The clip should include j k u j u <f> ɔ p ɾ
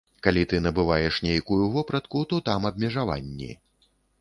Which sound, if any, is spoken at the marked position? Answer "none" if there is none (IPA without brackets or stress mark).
v